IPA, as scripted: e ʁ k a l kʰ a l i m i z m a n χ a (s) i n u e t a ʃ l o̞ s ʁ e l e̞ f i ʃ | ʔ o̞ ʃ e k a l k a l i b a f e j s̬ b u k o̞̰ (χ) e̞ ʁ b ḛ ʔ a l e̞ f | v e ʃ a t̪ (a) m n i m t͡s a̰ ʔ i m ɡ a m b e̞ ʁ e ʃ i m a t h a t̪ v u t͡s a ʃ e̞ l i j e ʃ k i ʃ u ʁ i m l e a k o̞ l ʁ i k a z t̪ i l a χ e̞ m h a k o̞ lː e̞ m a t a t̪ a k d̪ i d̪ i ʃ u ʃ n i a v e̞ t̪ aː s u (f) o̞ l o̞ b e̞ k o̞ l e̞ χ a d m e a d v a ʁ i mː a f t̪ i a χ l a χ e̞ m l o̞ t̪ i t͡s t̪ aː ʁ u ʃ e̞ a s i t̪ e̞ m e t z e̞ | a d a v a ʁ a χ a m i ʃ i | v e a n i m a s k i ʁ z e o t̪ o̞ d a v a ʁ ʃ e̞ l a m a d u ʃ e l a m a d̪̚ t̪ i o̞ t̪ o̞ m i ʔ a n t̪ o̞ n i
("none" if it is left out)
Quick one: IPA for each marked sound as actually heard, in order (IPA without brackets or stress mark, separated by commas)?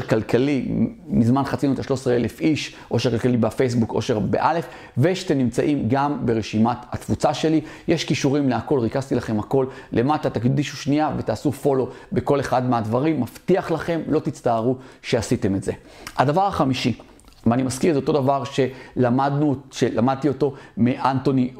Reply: t͡s, ʃ, e, f